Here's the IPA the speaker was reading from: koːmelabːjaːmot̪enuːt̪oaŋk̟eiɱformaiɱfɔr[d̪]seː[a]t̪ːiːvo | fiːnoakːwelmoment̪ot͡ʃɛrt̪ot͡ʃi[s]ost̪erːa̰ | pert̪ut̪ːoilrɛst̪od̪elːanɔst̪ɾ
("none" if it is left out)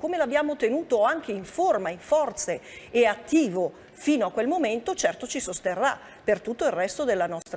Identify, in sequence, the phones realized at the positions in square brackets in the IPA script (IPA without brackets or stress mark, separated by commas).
t̪, a, s